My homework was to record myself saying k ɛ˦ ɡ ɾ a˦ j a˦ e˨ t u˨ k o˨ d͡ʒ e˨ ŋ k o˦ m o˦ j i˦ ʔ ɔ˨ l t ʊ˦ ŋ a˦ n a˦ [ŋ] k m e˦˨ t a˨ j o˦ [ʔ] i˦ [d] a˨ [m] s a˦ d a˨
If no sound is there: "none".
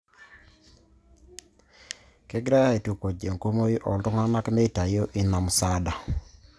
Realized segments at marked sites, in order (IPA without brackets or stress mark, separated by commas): none, ʔ, n, m